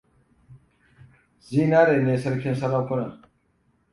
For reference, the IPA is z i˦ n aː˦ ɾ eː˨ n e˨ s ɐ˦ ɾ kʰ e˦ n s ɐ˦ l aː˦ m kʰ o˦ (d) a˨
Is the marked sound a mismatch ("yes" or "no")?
yes